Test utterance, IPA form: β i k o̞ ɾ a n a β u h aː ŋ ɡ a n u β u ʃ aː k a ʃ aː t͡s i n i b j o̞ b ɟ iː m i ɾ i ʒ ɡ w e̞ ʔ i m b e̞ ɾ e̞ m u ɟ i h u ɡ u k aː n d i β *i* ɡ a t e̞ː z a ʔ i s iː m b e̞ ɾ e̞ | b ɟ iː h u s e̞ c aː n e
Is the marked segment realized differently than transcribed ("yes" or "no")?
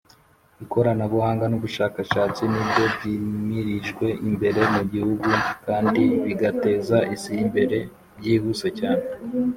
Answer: no